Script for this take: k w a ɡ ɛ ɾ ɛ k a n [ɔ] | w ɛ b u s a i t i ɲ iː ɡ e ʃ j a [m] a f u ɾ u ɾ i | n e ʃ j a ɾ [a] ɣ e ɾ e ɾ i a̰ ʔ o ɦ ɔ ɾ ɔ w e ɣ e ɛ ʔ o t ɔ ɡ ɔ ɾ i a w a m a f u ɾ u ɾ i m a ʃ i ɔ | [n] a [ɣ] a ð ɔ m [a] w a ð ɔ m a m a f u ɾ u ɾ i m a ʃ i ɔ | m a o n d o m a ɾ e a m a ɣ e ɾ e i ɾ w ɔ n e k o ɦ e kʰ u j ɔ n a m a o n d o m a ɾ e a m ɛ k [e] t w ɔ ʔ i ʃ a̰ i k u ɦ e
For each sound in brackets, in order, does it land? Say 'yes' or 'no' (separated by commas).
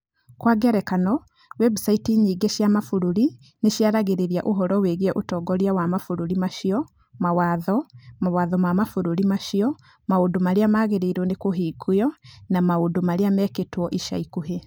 yes, yes, yes, no, no, yes, yes